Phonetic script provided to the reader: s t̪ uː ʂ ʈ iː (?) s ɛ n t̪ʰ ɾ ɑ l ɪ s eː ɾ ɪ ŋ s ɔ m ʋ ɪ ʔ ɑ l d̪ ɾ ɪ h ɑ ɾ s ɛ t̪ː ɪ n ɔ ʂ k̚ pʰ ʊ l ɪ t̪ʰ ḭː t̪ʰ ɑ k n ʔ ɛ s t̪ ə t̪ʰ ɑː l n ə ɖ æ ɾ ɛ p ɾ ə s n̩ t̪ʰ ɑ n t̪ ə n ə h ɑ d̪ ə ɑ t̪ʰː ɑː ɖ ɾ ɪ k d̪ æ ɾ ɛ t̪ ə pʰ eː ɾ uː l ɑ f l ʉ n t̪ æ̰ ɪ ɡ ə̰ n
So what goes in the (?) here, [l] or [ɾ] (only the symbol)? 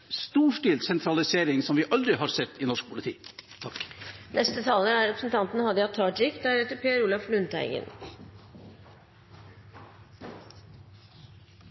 l